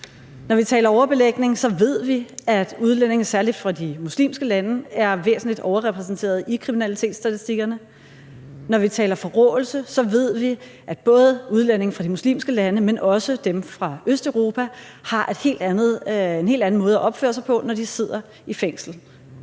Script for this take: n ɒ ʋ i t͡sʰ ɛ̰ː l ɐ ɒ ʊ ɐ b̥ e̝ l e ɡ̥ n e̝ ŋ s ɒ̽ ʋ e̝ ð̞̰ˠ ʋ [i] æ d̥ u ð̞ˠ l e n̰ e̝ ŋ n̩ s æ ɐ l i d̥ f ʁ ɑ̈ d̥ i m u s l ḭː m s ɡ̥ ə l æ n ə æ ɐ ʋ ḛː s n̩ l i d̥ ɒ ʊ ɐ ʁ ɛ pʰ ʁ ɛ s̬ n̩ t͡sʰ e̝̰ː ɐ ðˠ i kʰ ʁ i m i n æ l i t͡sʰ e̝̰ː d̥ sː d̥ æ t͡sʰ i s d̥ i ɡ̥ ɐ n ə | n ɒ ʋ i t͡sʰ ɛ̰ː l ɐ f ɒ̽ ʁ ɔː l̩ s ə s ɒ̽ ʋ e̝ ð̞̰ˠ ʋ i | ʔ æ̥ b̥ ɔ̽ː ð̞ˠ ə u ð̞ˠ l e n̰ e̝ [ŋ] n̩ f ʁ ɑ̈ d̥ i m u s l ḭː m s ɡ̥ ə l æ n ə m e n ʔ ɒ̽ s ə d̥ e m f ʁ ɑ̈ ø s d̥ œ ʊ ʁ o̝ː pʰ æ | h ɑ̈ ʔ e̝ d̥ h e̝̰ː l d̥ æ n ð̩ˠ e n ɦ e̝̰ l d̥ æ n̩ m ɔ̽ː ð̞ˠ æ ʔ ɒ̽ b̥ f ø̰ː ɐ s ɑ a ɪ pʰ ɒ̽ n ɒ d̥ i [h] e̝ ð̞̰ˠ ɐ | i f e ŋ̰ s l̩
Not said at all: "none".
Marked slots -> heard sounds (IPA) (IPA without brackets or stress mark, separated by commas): i, ŋ, s